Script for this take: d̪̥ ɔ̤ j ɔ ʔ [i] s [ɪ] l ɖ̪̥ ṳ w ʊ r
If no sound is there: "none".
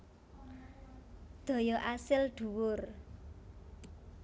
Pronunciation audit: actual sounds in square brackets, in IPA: a, ɪ

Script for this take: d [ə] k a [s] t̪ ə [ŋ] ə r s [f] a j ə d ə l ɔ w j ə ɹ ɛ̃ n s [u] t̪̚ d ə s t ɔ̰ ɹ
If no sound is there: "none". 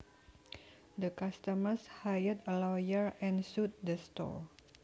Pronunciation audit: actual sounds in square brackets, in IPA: ə, s, m, h, u

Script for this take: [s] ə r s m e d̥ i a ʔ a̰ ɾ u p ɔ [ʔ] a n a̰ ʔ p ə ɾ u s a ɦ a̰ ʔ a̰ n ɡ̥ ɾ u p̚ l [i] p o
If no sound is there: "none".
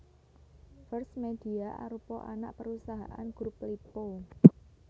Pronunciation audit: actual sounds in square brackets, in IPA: f, ʔ, i

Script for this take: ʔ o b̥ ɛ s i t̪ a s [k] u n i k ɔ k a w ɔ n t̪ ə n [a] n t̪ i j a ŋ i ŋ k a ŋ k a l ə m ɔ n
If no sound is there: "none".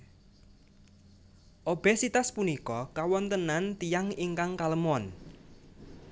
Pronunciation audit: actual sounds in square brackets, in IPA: p, a

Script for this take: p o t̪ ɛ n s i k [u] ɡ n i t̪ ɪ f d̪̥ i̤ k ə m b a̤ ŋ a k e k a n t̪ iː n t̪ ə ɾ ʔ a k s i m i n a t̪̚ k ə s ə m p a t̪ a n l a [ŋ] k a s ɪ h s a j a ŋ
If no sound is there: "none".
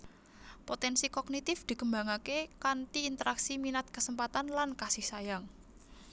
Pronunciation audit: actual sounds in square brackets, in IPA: ɔ, n

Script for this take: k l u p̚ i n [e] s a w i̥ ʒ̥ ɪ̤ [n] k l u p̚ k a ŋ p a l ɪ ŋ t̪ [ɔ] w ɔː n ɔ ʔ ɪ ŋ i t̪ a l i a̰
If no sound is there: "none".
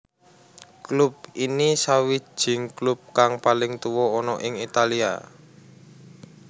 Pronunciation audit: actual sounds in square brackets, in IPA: i, ŋ, u

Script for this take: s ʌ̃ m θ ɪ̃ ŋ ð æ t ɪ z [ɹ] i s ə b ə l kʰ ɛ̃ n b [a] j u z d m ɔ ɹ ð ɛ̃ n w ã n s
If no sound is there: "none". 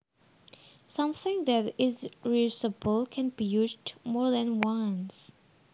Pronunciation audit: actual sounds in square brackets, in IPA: ɹ, i

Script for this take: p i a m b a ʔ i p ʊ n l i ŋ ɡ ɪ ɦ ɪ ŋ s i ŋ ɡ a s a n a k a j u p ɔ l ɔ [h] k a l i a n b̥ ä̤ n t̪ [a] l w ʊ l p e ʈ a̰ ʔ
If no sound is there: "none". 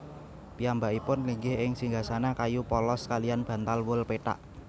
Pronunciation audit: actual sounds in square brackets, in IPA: s, a

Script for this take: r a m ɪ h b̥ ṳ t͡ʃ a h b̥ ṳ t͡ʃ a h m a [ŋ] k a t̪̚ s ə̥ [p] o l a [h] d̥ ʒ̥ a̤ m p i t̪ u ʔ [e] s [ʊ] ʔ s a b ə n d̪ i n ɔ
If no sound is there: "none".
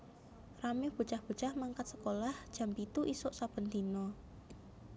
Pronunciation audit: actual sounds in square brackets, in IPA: ŋ, k, h, i, ʊ

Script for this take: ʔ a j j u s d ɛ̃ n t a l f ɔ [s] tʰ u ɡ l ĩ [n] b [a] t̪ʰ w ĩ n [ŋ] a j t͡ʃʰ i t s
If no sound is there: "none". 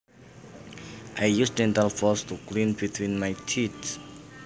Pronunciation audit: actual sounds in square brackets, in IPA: s, n, i, m

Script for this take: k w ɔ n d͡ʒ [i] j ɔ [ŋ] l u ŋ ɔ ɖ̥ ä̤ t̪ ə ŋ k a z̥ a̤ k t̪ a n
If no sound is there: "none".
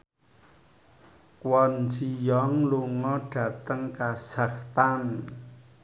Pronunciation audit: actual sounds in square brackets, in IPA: i, ŋ

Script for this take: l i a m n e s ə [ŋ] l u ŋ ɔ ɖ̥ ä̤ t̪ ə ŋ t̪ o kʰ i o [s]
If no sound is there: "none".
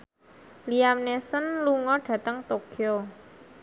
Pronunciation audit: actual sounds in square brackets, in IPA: n, none

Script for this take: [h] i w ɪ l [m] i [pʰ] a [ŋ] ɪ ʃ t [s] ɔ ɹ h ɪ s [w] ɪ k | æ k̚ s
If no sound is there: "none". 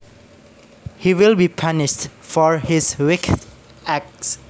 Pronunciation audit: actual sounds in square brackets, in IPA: h, b, pʰ, n, f, w

